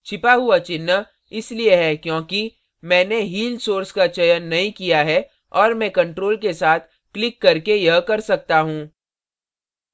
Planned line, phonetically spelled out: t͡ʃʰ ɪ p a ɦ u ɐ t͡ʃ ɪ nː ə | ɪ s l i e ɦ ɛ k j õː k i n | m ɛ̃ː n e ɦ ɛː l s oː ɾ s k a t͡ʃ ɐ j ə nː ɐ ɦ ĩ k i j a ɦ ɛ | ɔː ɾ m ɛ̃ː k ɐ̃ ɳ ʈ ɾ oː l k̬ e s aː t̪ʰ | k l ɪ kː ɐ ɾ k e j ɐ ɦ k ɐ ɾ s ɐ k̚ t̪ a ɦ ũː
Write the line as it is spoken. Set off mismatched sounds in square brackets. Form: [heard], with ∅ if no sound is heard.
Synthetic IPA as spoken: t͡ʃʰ ɪ p a ɦ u [a] t͡ʃ ɪ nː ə | ɪ s l i e ɦ ɛ k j õː k i [∅] | m ɛ̃ː n e ɦ [iː] l s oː ɾ s k a t͡ʃ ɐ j ə nː ɐ ɦ ĩ k i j a ɦ ɛ | ɔː ɾ m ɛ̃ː k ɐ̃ ɳ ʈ ɾ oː l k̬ e s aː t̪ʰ | k l ɪ kː ɐ ɾ k e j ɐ ɦ k ɐ ɾ s ɐ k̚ t̪ a ɦ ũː